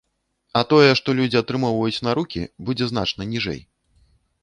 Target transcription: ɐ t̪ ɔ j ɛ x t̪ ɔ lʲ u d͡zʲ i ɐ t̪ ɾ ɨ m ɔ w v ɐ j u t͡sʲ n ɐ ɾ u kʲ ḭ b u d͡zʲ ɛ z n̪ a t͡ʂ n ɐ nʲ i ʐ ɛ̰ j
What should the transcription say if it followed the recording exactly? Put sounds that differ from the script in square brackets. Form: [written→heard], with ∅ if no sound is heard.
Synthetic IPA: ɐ t̪ ɔ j ɛ [x→ʂ] t̪ ɔ lʲ u d͡zʲ i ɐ t̪ ɾ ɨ m ɔ w v ɐ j u t͡sʲ n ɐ ɾ u kʲ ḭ b u d͡zʲ ɛ z n̪ a t͡ʂ n ɐ nʲ i ʐ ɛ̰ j